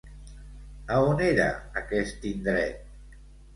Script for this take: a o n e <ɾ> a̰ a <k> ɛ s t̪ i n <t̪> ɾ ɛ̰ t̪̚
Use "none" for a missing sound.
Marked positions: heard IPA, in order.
ɾ, k, d̪

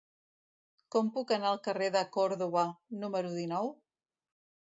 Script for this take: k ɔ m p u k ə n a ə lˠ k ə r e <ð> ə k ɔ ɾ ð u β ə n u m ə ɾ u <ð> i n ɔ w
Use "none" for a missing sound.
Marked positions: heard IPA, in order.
ð, ð

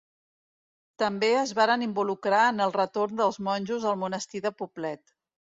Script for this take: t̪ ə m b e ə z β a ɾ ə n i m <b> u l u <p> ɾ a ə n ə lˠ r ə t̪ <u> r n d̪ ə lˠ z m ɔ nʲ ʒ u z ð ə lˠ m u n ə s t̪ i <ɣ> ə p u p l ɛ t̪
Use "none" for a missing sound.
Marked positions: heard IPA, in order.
b, k, o, ð

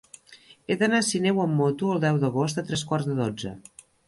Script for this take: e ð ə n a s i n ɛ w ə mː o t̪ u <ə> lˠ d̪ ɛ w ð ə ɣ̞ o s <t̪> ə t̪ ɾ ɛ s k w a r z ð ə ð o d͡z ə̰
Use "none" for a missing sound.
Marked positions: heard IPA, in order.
ə, t̪

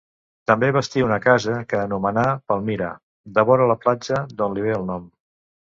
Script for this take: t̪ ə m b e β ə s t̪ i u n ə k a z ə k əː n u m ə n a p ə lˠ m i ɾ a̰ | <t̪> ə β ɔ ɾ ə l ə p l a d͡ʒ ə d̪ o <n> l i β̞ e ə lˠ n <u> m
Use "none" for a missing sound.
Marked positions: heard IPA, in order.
d̪, n, ɔ

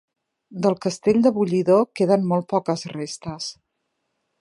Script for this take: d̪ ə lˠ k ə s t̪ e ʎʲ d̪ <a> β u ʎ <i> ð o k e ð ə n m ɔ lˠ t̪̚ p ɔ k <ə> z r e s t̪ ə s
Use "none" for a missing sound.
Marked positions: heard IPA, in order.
ə, i, ə

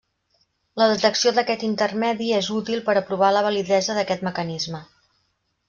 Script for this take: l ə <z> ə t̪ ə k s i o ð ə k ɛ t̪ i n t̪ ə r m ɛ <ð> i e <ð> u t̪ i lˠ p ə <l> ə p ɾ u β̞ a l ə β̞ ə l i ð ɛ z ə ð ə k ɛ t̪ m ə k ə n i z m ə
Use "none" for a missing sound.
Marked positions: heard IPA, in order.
ð, ð, z, ɾ

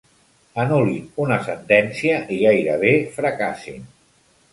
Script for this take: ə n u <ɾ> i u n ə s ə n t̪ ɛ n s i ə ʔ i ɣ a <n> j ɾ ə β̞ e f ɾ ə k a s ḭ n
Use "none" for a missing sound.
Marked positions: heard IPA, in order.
l, none

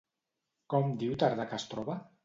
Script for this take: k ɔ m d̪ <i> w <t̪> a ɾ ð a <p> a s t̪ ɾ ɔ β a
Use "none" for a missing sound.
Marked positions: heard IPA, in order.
i, t̪, k

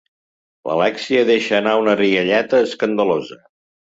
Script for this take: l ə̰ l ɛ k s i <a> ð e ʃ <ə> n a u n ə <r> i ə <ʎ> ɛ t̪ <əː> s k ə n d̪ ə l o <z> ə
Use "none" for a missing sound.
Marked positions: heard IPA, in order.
ə, əː, r, ʎ, əː, z

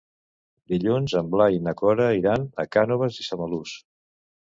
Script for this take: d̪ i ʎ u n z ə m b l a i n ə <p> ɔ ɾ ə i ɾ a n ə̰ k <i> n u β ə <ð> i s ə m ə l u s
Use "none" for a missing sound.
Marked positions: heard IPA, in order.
k, a, z

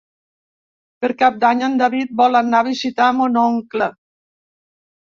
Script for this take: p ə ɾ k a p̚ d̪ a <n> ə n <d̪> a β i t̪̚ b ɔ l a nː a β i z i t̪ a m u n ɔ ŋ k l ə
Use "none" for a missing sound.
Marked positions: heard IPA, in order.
ɲ, d̪

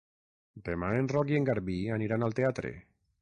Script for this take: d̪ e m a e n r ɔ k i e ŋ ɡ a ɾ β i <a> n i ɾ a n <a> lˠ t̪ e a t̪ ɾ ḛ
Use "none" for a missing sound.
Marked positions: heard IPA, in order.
a, a

